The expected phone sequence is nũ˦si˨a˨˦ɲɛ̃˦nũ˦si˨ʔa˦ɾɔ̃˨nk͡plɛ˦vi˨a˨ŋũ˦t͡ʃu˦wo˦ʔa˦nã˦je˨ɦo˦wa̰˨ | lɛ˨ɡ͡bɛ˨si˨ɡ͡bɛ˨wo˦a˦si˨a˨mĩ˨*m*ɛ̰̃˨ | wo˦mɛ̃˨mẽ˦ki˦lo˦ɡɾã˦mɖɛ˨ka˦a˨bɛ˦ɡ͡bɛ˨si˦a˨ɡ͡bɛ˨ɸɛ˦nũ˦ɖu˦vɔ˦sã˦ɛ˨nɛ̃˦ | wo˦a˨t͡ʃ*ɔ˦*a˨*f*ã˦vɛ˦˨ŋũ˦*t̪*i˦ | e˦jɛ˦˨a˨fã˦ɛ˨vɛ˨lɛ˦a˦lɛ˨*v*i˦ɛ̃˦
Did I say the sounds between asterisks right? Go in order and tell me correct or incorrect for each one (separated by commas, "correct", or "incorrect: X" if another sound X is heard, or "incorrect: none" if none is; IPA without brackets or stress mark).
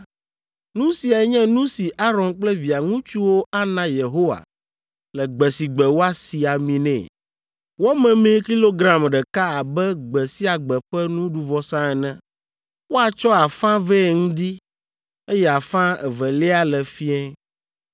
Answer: incorrect: n, correct, correct, incorrect: d̪, incorrect: f